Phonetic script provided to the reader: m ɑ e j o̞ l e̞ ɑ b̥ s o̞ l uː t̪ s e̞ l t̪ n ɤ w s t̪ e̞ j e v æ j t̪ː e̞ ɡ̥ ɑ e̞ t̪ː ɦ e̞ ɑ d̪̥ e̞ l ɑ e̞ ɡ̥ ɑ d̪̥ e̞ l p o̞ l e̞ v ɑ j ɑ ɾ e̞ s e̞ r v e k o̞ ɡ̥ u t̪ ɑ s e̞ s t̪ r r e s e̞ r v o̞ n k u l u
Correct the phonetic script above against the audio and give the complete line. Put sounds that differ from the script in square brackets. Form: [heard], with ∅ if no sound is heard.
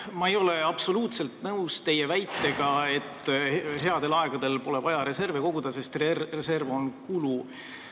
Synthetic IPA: m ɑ e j o̞ l e̞ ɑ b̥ s o̞ l uː t̪ s e̞ l t̪ n ɤ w s t̪ e̞ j e v æ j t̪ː e̞ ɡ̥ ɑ e̞ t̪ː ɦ e̞ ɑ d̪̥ e̞ l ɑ e̞ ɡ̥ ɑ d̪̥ e̞ l p o̞ l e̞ v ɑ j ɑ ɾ e̞ s e̞ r v e k o̞ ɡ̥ u [d̪] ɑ s e̞ s t̪ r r e s e̞ r v o̞ n k u l u